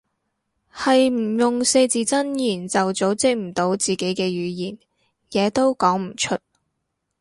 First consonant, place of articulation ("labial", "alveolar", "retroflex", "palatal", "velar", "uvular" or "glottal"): glottal